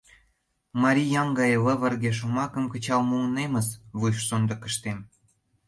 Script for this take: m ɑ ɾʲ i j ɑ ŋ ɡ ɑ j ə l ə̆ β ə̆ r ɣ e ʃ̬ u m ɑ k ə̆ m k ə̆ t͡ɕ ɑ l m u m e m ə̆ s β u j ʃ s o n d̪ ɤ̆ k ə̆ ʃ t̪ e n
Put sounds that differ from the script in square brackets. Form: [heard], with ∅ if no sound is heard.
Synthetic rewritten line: m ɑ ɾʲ i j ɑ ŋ ɡ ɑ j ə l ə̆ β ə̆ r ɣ e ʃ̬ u m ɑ k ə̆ m k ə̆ t͡ɕ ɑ l m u [n] e m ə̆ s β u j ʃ s o n d̪ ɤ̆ k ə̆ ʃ t̪ e [m]